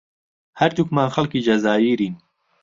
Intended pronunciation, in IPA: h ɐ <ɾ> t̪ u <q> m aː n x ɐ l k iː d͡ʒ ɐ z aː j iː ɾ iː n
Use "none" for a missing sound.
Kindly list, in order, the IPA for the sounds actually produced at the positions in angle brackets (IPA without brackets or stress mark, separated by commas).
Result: ɾ, k